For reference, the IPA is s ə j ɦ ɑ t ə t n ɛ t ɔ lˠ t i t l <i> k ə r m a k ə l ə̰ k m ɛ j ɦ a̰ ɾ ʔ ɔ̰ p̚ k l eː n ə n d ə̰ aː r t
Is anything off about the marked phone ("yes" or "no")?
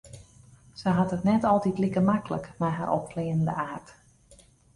no